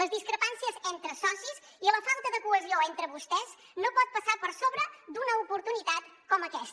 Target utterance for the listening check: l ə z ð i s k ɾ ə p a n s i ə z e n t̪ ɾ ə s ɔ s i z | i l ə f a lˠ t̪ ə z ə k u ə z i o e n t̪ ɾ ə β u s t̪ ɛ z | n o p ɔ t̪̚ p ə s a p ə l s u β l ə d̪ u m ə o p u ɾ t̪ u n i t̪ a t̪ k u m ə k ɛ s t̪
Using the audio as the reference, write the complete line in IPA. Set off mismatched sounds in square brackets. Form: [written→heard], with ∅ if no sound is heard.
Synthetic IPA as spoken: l ə z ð i s k ɾ ə p a n s i ə z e n t̪ ɾ ə s ɔ s i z | i l ə f a lˠ t̪ ə [z→ð] ə k u ə z i o e n t̪ ɾ ə β u s t̪ ɛ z | n o p ɔ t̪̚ p ə s a p ə [l→ɾ] s [u→o] β [l→ɾ] ə d̪ u [m→n] ə [o→u] p u ɾ t̪ u n i t̪ a t̪ k [u→ɔ] m ə k ɛ s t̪